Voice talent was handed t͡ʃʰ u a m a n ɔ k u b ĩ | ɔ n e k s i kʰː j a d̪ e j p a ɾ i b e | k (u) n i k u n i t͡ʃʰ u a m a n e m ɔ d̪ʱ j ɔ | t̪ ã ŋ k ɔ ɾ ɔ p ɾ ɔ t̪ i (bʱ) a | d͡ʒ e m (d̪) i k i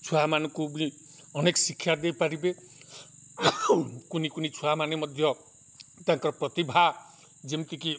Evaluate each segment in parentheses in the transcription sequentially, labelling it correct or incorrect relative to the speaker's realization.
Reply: correct, correct, incorrect

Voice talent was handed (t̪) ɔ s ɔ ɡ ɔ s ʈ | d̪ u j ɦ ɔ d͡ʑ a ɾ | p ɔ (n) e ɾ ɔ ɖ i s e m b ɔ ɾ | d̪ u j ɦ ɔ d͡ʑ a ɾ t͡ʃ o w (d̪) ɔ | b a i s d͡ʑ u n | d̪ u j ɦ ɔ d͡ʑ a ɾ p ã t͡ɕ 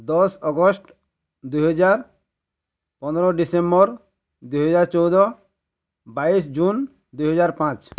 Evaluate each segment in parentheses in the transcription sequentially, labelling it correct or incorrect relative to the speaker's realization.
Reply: incorrect, correct, correct

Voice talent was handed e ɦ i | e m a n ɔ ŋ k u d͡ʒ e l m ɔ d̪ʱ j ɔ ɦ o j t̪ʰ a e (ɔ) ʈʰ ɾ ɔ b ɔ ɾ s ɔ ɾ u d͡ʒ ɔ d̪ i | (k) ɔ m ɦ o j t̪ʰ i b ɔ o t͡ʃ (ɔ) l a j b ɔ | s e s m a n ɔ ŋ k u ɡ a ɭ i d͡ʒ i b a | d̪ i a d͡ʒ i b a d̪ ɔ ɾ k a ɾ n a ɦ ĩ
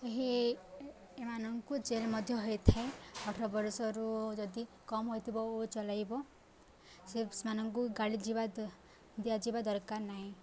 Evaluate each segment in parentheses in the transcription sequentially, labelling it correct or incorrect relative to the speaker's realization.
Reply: correct, correct, correct

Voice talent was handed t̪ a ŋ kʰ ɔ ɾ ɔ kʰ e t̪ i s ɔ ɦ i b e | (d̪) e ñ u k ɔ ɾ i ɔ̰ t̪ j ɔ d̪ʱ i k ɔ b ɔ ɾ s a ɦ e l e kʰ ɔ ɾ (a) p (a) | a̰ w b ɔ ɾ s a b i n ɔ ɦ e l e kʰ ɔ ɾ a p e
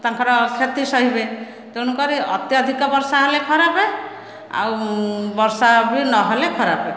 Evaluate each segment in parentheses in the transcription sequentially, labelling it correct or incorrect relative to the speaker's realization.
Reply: incorrect, correct, incorrect

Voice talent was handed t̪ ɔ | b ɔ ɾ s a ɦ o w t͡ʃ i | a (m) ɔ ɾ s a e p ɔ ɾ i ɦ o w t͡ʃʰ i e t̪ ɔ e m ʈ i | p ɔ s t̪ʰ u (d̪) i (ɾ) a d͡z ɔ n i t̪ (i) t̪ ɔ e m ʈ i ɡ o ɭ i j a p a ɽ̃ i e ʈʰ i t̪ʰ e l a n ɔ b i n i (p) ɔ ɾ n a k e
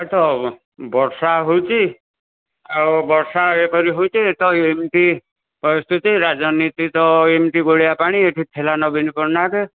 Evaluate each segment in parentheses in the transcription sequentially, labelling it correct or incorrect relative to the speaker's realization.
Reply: incorrect, incorrect, correct, correct, correct

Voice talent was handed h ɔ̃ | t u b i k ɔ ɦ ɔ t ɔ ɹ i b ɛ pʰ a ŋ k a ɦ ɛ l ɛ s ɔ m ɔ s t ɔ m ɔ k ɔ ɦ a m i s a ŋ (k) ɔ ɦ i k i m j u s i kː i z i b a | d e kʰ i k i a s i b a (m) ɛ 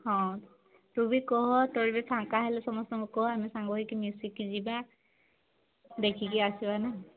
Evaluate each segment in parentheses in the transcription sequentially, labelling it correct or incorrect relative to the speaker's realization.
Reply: incorrect, incorrect

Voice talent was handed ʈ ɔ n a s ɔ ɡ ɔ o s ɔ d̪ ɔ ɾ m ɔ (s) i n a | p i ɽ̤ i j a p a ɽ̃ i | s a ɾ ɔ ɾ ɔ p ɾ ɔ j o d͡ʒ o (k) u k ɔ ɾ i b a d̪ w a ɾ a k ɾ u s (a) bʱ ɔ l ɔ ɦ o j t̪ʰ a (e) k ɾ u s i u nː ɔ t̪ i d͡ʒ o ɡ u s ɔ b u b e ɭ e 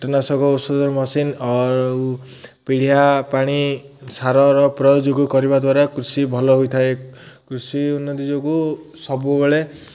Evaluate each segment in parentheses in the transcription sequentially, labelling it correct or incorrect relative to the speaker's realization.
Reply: correct, incorrect, incorrect, correct

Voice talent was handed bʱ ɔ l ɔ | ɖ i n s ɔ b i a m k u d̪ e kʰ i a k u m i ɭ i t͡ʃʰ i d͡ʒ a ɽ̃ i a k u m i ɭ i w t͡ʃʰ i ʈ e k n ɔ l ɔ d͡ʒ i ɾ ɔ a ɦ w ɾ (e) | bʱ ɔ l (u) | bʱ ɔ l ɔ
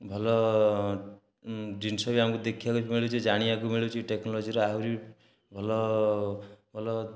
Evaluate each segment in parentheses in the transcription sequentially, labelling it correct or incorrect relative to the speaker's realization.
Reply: incorrect, incorrect

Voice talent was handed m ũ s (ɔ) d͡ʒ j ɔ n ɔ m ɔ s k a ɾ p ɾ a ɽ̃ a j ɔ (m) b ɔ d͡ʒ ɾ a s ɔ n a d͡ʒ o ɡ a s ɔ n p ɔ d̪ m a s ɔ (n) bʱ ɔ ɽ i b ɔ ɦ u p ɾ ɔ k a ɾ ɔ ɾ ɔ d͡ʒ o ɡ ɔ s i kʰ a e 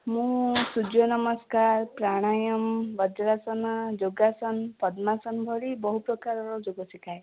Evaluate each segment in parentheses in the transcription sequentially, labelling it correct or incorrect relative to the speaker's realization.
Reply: incorrect, correct, correct

